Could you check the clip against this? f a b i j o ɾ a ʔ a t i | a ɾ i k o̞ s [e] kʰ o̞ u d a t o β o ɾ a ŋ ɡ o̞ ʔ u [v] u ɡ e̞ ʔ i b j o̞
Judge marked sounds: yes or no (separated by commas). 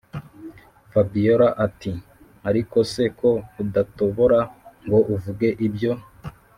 yes, yes